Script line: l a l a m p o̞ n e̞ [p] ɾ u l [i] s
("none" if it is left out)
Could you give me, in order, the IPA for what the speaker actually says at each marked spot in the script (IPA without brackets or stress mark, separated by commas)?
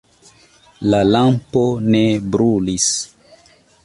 b, i